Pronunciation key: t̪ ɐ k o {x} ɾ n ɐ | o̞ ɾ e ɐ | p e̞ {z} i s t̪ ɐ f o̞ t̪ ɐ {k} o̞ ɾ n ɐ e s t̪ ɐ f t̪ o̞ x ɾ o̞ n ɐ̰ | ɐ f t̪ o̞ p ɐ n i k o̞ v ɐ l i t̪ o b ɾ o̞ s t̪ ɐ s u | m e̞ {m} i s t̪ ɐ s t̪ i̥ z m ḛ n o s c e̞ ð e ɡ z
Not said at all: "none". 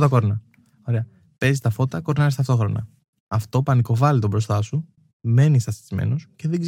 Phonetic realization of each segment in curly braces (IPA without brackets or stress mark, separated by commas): none, z, k, n